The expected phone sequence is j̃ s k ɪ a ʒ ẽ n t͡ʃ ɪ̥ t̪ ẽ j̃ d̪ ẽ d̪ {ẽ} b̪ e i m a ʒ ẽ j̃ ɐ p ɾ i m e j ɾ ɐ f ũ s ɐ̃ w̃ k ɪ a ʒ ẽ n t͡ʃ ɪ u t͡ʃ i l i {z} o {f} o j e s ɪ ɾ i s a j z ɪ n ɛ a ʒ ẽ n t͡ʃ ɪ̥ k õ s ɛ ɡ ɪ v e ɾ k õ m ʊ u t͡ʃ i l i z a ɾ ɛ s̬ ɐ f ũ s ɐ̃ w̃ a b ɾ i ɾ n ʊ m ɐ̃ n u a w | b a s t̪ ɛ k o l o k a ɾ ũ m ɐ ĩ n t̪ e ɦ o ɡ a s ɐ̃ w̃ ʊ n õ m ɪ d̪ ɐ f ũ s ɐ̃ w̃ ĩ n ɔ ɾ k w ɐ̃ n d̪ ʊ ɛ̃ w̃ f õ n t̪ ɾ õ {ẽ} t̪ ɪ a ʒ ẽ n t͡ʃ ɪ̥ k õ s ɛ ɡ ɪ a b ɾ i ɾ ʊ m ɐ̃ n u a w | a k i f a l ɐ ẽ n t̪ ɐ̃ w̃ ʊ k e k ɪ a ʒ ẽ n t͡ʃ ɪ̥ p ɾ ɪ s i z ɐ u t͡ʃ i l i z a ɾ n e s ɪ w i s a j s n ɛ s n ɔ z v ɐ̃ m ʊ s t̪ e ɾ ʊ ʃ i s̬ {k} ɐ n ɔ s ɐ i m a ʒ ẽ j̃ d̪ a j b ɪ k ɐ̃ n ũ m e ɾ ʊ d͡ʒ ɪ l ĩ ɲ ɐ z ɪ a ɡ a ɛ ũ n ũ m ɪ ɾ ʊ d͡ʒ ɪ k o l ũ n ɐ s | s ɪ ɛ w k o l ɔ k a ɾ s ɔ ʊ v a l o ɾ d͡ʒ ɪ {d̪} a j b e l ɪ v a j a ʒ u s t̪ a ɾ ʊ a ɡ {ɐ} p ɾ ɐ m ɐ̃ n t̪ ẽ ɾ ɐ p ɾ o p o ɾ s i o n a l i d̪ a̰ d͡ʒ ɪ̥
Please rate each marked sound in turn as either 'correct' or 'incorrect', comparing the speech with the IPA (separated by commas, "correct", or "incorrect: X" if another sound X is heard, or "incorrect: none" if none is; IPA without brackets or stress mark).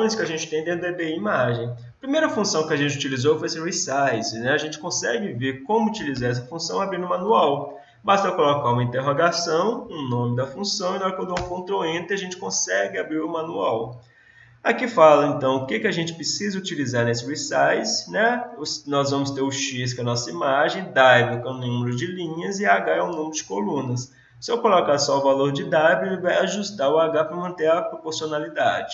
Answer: incorrect: e, correct, correct, correct, correct, correct, incorrect: a